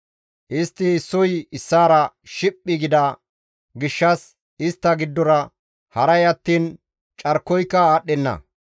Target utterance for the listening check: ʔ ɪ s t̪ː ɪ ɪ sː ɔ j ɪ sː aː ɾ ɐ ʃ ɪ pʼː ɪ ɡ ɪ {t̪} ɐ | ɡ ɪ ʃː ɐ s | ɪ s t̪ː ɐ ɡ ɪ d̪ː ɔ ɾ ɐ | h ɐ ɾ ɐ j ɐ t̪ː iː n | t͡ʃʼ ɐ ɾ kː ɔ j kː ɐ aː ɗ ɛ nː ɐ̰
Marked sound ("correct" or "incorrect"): incorrect